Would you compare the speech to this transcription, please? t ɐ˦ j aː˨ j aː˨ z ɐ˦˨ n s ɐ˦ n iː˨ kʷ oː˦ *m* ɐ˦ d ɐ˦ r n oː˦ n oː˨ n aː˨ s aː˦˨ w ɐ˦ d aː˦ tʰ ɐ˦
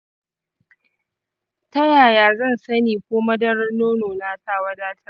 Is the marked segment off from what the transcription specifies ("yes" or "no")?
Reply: no